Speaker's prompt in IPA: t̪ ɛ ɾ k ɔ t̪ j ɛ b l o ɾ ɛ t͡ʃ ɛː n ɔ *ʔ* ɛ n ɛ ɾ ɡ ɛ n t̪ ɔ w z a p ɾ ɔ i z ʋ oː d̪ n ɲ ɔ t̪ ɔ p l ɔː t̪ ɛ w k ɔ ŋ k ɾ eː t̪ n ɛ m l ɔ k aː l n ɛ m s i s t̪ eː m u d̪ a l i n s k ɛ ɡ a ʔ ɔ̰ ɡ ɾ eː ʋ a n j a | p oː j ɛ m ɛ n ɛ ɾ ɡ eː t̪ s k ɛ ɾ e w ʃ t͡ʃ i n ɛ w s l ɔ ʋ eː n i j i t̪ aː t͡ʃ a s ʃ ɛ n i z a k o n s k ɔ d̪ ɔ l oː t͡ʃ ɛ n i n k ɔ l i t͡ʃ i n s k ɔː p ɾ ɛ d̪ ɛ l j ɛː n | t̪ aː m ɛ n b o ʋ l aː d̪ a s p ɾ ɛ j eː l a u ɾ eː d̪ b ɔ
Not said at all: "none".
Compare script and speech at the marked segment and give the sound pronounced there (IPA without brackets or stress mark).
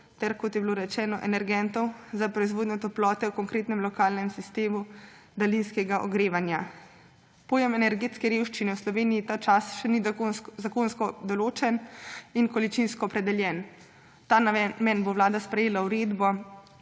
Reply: ʔ